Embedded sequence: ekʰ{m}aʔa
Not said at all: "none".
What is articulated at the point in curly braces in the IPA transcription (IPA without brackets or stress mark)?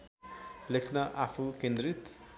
n